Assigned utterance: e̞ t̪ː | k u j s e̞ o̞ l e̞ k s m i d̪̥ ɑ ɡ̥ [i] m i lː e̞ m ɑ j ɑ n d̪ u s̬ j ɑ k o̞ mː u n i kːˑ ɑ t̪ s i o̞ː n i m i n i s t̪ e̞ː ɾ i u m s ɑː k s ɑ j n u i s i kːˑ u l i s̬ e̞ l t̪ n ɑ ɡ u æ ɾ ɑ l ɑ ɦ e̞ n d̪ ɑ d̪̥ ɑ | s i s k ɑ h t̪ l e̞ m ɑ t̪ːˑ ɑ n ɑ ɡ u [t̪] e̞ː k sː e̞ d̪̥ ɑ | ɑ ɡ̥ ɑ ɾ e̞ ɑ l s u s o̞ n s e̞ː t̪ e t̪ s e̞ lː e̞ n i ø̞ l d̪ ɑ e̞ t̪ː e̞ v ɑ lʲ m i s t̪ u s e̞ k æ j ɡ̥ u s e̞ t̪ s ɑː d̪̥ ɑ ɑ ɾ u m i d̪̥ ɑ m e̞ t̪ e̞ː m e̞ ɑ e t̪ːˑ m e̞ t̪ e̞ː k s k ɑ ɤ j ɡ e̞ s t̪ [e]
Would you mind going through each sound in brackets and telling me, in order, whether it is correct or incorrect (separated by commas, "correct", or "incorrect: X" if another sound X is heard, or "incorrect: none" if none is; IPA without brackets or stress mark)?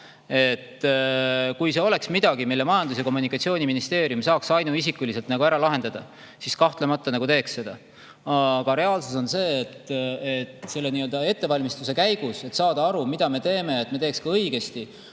correct, correct, incorrect: i